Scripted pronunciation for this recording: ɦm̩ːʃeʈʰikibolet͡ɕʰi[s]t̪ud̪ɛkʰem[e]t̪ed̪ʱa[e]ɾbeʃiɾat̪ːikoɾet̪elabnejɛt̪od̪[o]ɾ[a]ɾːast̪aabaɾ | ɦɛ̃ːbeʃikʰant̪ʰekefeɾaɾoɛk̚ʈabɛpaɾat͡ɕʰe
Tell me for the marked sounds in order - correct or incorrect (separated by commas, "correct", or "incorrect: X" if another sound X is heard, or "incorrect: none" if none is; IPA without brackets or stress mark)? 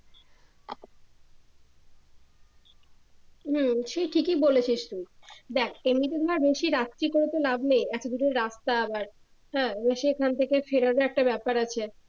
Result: incorrect: ʃ, incorrect: i, incorrect: a, incorrect: u, incorrect: e